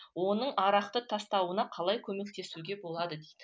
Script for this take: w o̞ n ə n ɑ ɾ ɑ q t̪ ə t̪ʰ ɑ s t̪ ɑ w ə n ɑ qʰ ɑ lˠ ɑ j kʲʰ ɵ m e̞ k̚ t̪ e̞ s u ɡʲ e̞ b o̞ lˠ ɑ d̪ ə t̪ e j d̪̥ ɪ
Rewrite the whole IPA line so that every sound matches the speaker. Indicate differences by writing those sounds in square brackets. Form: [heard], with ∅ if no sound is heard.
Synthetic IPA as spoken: w o̞ n ə [ɴ] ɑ ɾ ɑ q t̪ ə t̪ʰ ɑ s t̪ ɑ w ə n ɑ qʰ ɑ lˠ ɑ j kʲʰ ɵ m e̞ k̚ t̪ e̞ s u ɡʲ e̞ b o̞ lˠ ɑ d̪ ə [d̪] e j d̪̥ ɪ